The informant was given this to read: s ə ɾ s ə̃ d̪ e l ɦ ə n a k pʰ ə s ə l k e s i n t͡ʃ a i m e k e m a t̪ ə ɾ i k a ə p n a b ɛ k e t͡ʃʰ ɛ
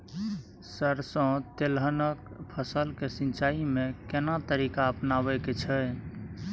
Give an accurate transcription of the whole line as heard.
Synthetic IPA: s ə ɾ s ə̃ t̪ e l ɦ ə n ə k pʰ ə s ə l k e s i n t͡ʃ a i m e k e n a t̪ ə ɾ i k a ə p n a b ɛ k e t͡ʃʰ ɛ